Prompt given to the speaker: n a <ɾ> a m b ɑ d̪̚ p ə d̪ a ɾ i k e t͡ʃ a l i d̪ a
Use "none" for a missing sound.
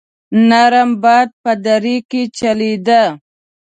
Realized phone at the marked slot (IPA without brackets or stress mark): ɾ